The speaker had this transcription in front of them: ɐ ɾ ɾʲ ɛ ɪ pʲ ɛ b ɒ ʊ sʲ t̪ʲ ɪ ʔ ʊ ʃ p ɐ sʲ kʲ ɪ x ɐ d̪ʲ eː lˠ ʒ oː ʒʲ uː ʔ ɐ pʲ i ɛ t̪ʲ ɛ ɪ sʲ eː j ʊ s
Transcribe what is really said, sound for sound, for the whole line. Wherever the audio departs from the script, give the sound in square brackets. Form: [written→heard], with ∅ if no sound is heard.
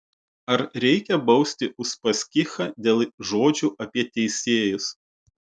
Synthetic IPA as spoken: ɐ ɾ ɾʲ ɛ ɪ [pʲ→kʲ] ɛ b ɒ ʊ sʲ t̪ʲ ɪ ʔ ʊ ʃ p ɐ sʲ kʲ ɪ x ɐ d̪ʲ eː lˠ ʒ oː [ʒʲ→d͡ʒʲ] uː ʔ ɐ pʲ i ɛ t̪ʲ ɛ ɪ sʲ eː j ʊ s

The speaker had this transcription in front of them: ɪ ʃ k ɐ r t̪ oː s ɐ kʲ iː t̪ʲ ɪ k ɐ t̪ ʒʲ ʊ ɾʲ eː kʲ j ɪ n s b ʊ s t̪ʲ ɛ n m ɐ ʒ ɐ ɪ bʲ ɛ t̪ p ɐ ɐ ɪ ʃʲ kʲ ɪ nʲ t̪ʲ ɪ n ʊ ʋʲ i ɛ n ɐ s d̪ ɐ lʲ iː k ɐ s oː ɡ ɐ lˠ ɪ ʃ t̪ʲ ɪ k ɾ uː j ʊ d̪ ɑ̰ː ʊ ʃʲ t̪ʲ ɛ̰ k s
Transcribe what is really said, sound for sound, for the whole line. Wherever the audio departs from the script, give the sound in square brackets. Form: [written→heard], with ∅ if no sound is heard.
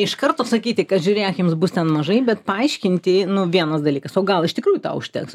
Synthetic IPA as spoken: ɪ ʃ k ɐ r t̪ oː s ɐ kʲ iː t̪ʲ ɪ k ɐ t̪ ʒʲ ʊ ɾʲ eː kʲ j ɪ [n→m] s b ʊ s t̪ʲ ɛ n m ɐ ʒ ɐ ɪ bʲ ɛ t̪ p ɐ ɐ ɪ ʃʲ kʲ ɪ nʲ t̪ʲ ɪ n ʊ ʋʲ i ɛ n ɐ s d̪ ɐ lʲ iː k ɐ s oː ɡ ɐ lˠ ɪ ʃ t̪ʲ ɪ k ɾ uː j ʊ [d̪→t̪] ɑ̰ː ʊ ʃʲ t̪ʲ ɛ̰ k s

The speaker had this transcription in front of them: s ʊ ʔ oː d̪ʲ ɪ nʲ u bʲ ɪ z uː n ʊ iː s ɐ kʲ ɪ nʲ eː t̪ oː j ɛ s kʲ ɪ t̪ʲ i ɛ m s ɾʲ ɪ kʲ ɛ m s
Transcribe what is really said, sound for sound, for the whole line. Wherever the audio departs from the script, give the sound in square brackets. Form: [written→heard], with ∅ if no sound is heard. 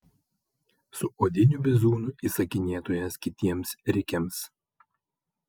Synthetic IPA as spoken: s ʊ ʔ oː d̪ʲ ɪ nʲ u bʲ ɪ z uː n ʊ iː s ɐ kʲ ɪ nʲ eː t̪ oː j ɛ s kʲ ɪ t̪ʲ i ɛ m s ɾʲ ɪ kʲ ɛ m s

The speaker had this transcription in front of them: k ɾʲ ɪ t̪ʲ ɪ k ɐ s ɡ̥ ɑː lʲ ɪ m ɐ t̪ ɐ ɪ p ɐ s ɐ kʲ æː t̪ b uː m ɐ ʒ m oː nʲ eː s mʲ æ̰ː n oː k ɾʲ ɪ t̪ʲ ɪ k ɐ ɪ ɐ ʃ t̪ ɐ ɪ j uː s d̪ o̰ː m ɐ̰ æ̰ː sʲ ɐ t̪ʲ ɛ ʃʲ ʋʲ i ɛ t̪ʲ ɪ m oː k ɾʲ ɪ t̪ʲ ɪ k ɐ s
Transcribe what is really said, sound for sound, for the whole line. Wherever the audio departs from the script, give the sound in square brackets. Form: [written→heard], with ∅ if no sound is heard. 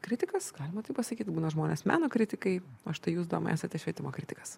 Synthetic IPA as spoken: k ɾʲ ɪ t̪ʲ ɪ k ɐ s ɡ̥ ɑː lʲ ɪ m ɐ t̪ ɐ ɪ p ɐ s ɐ kʲ [æː→iː] t̪ b uː [m→n] ɐ ʒ m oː nʲ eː s mʲ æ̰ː n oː k ɾʲ ɪ t̪ʲ ɪ k ɐ ɪ ɐ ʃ t̪ ɐ ɪ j uː s d̪ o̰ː m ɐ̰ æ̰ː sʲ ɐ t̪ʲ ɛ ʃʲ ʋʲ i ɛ t̪ʲ ɪ m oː k ɾʲ ɪ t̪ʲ ɪ k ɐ s

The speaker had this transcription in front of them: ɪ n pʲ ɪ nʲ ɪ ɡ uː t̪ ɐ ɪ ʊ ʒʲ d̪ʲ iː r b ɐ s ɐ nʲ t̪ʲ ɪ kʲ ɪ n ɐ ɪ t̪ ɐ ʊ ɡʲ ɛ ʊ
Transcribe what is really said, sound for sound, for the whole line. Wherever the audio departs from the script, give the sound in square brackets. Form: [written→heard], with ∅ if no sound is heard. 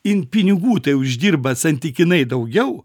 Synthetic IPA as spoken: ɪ n pʲ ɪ nʲ ɪ ɡ uː t̪ ɐ ɪ ʊ ʒʲ d̪ʲ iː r b ɐ s ɐ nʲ t̪ʲ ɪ kʲ ɪ n ɐ ɪ [t̪→d̪] ɐ ʊ ɡʲ ɛ ʊ

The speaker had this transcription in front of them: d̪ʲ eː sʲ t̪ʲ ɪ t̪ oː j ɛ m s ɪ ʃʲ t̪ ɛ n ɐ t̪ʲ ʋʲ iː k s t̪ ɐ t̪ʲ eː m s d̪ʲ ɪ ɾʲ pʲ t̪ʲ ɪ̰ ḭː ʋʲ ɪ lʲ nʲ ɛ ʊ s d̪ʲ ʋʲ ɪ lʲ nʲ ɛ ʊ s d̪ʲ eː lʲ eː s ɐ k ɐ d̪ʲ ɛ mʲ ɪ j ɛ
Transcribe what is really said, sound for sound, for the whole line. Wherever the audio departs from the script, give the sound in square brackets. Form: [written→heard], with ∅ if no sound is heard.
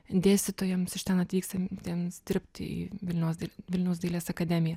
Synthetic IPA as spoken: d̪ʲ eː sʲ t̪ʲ ɪ t̪ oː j ɛ m s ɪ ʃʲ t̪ ɛ n ɐ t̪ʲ ʋʲ iː k s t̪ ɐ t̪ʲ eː m s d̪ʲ ɪ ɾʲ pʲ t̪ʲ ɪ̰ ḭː ʋʲ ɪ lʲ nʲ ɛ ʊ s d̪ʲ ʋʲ ɪ lʲ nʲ ɛ ʊ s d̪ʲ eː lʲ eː s ɐ k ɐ d̪ʲ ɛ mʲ ɪ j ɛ

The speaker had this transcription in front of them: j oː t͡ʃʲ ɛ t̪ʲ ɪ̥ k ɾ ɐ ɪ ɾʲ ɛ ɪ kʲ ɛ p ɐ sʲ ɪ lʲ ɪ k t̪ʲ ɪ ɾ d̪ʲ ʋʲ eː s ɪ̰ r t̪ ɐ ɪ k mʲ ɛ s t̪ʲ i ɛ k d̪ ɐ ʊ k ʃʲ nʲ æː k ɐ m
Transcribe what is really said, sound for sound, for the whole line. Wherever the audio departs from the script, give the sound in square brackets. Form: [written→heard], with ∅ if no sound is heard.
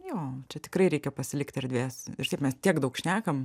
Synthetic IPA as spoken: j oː t͡ʃʲ ɛ t̪ʲ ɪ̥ k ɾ ɐ ɪ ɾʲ ɛ ɪ kʲ ɛ p ɐ sʲ ɪ lʲ ɪ k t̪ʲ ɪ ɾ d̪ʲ ʋʲ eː s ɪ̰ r t̪ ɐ ɪ [k→p] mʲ ɛ s t̪ʲ i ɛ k d̪ ɐ ʊ k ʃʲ nʲ æː k ɐ m

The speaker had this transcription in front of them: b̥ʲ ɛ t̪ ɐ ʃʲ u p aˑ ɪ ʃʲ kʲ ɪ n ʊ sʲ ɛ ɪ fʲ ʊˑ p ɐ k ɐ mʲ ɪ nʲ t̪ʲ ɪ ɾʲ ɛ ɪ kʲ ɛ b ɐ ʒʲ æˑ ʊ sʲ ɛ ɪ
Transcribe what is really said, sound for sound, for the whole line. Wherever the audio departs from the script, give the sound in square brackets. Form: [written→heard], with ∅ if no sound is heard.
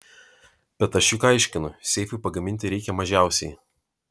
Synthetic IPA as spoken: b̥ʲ ɛ t̪ ɐ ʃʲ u [p→k] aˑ ɪ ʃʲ kʲ ɪ n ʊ sʲ ɛ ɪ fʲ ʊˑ p ɐ [k→ɡ] ɐ mʲ ɪ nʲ t̪ʲ ɪ ɾʲ ɛ ɪ kʲ ɛ [b→m] ɐ ʒʲ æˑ ʊ sʲ ɛ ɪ

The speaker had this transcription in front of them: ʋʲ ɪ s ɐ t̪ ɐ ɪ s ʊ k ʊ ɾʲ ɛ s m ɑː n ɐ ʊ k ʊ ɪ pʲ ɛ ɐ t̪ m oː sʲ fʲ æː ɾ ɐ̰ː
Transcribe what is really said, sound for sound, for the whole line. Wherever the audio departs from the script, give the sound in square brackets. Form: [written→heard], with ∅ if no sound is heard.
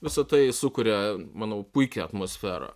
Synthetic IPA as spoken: ʋʲ ɪ s ɐ t̪ ɐ ɪ s ʊ k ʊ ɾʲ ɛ [s→∅] m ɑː n ɐ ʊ [k→p] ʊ ɪ [pʲ→kʲ] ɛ ɐ t̪ m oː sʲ fʲ æː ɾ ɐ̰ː

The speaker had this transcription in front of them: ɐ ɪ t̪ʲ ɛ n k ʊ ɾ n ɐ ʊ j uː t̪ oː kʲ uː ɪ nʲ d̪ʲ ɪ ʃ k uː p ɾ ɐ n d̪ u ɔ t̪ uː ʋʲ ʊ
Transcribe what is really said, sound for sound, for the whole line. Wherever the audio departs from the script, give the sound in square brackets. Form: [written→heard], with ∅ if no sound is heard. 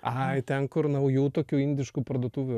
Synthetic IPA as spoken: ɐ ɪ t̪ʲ ɛ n k ʊ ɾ n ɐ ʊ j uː t̪ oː kʲ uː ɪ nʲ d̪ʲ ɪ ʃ k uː p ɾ ɐ [n→∅] d̪ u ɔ t̪ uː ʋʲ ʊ

